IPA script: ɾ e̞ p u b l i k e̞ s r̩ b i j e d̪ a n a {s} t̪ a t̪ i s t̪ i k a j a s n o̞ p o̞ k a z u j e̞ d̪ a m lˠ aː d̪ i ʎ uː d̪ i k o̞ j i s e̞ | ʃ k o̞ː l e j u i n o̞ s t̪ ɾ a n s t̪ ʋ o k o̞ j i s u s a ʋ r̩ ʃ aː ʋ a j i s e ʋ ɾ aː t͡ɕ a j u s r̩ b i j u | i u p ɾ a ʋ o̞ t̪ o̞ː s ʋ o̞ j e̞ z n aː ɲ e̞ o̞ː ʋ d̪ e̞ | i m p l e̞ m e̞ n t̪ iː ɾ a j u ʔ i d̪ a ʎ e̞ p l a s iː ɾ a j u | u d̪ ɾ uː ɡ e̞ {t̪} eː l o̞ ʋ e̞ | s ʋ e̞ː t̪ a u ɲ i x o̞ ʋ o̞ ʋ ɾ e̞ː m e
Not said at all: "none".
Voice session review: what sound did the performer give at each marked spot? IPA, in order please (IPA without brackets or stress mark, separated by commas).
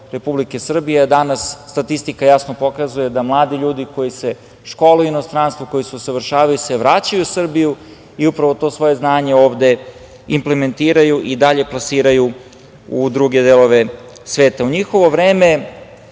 sː, d̪